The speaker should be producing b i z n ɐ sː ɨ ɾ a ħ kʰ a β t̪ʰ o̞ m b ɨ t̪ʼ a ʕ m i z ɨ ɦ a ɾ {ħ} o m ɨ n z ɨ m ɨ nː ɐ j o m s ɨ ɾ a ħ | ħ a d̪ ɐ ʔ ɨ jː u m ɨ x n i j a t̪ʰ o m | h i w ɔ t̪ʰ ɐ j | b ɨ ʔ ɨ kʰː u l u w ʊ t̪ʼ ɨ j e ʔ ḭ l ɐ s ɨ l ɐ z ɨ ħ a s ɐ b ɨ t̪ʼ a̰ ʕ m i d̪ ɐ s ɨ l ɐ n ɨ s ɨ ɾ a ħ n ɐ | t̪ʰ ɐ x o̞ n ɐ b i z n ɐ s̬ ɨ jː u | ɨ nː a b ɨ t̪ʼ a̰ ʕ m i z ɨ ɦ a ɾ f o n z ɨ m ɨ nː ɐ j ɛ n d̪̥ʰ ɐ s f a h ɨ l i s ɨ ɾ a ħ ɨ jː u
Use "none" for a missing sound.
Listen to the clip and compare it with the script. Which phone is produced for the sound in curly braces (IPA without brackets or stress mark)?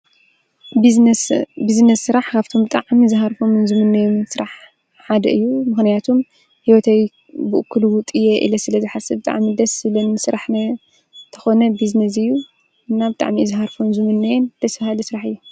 f